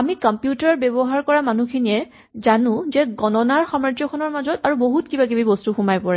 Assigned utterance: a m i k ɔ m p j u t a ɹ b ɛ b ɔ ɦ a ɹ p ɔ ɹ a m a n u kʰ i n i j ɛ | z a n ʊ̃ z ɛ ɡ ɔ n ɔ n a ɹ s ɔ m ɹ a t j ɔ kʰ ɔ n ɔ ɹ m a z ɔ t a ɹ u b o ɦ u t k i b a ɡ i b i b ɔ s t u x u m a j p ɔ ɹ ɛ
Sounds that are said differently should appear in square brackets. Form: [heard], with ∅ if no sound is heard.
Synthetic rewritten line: a m i k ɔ m p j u t a ɹ b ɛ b ɔ ɦ a ɹ [k] ɔ ɹ a m a n u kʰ i n i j ɛ | z a n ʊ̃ z ɛ ɡ ɔ n ɔ n a ɹ [x] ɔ m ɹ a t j ɔ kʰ ɔ n ɔ ɹ m a z ɔ t a ɹ u b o ɦ u t k i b a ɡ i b i b ɔ s t u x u m a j p ɔ ɹ ɛ